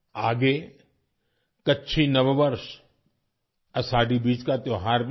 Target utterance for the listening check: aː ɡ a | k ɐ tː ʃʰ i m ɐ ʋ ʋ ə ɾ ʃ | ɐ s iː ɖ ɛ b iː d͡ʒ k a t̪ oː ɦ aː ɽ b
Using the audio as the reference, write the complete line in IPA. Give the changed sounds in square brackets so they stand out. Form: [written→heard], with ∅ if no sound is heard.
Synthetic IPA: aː ɡ [a→e] | k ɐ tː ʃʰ i [m→n] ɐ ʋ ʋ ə ɾ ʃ | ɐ s [iː→aː] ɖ [ɛ→i] b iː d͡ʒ k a t̪ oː ɦ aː [ɽ→ɾ] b